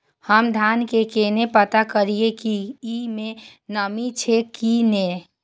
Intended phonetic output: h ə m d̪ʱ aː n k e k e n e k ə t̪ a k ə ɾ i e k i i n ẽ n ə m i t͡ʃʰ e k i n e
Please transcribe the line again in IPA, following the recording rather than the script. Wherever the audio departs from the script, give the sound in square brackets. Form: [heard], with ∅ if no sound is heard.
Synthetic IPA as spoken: h ə m d̪ʱ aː n k e k e n e [p] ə t̪ a k ə ɾ i e k i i [m] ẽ n ə m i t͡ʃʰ e k i n e